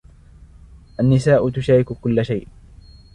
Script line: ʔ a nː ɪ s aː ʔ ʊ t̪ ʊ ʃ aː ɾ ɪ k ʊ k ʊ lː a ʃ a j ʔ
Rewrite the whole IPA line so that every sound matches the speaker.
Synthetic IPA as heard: ʔ a nː ɪ s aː ʔ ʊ t̪ ʊ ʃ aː ɾ ɪ k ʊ k ʊ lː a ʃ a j ʔ